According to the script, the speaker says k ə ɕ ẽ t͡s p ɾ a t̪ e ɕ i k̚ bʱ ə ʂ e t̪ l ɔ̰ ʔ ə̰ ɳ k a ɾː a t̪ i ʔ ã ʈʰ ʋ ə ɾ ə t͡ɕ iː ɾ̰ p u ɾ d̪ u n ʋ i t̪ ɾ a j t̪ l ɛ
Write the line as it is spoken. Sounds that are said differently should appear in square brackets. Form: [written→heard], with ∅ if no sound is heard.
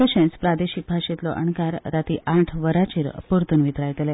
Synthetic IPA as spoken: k ə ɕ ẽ t͡s p ɾ a [t̪→d̪] e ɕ i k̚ bʱ [ə→a] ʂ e t̪ l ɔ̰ ʔ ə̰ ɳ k a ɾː a t̪ i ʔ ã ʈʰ ʋ ə ɾ [ə→a] t͡ɕ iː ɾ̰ p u ɾ [d̪→t̪] u n ʋ i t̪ ɾ a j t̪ l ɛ